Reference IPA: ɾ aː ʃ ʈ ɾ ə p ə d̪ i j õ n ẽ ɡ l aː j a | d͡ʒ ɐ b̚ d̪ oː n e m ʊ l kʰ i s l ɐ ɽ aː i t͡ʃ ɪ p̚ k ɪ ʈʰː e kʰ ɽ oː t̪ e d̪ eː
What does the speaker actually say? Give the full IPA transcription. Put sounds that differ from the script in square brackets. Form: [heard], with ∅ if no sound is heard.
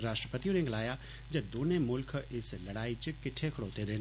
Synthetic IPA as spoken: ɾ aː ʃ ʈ ɾ ə p ə [t̪] i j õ n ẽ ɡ l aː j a | d͡ʒ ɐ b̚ d̪ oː n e m ʊ l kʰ [ɪ] s l ɐ ɽ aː i t͡ʃ ɪ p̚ k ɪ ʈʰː e kʰ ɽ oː t̪ e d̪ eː